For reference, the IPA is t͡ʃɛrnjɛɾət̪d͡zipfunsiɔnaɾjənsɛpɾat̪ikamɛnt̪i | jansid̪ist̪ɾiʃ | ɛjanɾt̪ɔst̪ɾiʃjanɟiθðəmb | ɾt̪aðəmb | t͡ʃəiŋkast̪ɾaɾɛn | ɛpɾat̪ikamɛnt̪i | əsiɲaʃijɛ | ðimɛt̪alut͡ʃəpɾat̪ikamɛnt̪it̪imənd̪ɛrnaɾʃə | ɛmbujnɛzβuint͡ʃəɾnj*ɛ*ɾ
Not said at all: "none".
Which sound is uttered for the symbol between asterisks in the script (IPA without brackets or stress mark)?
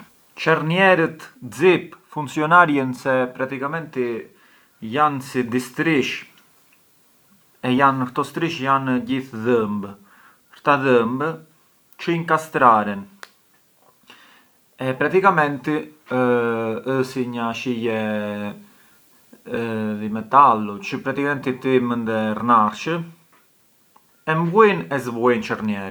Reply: ɛ